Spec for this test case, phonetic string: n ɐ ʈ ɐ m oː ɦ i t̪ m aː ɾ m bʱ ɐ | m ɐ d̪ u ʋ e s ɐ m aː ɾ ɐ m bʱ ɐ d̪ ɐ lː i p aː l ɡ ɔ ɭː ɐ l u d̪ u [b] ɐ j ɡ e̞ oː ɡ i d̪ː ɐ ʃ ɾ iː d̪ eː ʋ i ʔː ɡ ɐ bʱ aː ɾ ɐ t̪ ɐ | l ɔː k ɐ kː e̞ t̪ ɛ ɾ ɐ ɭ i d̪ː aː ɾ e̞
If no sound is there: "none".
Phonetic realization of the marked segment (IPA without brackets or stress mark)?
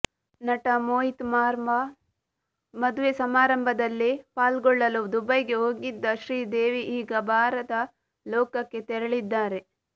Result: b